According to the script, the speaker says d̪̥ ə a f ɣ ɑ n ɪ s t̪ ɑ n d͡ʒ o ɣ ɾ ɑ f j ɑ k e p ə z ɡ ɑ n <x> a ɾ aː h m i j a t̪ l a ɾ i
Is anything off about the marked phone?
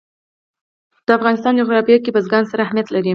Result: yes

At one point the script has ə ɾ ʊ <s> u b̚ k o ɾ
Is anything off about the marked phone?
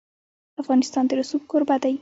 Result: no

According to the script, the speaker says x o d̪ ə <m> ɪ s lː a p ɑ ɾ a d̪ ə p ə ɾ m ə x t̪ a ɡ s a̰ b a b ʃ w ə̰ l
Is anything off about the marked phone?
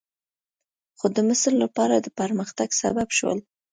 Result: no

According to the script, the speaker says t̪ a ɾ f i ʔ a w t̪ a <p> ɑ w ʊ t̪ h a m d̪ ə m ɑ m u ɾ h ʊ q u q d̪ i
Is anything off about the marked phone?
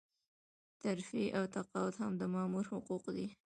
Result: yes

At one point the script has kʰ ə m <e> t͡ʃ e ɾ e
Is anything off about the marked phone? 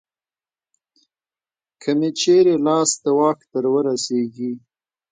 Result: no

